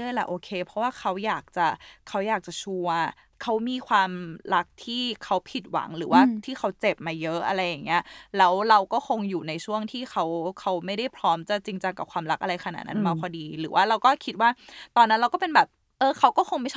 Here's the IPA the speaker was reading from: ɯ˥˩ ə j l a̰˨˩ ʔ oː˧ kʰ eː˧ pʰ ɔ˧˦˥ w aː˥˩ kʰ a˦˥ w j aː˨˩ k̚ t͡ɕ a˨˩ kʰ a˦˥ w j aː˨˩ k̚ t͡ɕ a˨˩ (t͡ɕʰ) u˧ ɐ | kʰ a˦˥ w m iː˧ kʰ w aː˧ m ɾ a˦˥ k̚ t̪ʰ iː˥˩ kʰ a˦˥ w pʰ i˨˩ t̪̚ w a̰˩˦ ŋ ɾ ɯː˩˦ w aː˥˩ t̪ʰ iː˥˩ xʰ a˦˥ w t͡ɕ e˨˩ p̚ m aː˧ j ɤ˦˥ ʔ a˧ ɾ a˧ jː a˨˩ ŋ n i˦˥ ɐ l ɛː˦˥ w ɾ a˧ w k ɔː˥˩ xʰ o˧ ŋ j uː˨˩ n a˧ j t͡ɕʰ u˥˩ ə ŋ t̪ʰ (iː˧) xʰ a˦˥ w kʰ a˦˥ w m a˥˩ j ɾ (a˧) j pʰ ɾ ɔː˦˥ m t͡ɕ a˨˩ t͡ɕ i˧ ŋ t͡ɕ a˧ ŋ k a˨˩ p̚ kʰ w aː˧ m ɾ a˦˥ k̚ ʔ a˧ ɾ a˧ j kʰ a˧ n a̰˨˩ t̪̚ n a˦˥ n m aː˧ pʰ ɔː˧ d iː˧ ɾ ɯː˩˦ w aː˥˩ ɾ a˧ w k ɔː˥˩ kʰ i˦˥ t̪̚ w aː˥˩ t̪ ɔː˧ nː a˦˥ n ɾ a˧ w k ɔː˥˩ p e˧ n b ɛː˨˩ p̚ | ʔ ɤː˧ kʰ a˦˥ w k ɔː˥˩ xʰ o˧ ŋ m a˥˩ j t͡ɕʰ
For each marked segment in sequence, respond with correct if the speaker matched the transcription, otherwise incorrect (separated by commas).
correct, incorrect, incorrect